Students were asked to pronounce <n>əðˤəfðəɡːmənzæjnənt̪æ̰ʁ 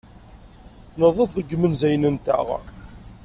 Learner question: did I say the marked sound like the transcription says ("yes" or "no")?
yes